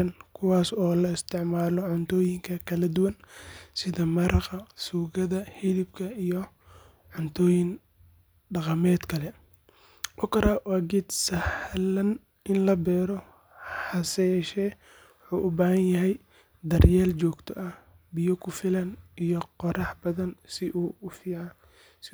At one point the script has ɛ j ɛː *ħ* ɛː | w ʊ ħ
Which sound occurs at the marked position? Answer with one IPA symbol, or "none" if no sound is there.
ʃ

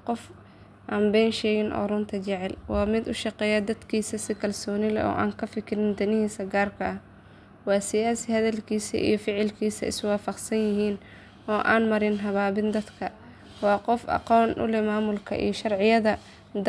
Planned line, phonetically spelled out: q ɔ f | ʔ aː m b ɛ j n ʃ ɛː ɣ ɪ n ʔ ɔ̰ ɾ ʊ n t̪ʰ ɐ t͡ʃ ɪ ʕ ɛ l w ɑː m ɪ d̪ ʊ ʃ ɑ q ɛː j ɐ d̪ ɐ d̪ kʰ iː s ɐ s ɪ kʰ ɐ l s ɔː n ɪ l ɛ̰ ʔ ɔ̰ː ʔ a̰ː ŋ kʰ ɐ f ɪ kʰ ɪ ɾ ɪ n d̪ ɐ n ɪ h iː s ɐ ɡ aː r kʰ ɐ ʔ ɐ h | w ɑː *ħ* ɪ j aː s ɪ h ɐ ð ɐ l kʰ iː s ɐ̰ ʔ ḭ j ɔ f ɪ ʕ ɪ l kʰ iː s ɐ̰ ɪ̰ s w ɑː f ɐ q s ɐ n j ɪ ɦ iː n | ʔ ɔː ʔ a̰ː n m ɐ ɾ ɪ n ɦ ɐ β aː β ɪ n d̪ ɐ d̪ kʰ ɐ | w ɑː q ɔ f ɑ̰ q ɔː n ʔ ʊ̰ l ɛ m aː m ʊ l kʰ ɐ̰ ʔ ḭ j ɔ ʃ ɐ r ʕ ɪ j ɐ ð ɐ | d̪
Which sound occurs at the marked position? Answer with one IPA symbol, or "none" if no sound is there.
s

